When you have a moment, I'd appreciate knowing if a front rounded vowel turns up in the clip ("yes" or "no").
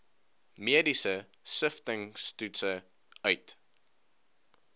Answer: yes